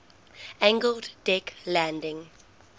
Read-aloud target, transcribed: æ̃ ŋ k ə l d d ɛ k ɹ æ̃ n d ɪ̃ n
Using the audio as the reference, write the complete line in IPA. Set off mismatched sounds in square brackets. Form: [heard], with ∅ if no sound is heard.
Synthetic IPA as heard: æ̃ ŋ [ɡ] ə l d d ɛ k [l] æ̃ n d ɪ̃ [ŋ]

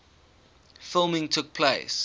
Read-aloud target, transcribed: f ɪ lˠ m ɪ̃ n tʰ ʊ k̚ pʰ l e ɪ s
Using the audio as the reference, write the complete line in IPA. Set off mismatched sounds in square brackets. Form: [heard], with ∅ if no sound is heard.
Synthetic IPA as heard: f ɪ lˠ m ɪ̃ [ŋ] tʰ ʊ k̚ pʰ l e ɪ s

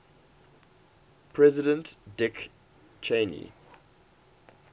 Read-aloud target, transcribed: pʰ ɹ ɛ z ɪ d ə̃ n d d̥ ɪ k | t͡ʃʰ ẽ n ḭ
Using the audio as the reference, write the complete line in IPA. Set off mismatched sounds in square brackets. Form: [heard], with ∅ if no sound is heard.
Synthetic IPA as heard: pʰ ɹ ɛ z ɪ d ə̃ n [t] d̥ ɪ k | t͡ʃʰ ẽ n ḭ

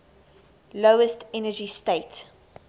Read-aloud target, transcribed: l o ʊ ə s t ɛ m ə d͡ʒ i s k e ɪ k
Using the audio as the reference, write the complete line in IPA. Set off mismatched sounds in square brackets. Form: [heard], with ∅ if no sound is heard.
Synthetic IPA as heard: l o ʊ ə s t ɛ [n] ə d͡ʒ i s [t] e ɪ [t]

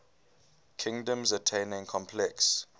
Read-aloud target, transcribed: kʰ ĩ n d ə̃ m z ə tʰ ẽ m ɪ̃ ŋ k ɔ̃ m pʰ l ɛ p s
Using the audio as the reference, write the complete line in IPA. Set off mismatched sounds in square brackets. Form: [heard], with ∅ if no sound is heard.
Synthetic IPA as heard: kʰ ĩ [ŋ] d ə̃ m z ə tʰ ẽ [n] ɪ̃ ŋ [kʰ] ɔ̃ m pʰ l ɛ [k] s

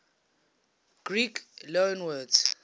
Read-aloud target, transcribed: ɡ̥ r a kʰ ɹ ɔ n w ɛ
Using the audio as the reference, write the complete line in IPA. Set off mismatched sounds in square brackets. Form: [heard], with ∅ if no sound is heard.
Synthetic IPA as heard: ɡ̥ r [i] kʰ [l] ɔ n w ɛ

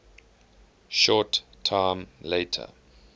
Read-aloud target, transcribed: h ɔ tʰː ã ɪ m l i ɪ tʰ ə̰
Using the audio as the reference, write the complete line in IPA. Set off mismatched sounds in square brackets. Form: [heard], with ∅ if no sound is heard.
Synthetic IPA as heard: [ʃ] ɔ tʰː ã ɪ m l [e] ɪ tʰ ə̰

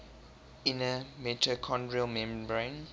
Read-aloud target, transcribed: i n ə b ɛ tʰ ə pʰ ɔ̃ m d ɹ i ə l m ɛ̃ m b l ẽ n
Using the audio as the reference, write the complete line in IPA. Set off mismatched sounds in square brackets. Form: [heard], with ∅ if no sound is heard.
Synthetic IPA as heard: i n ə [m] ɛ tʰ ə [kʰ] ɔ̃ [n] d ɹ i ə l m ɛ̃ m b [ɹ] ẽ n

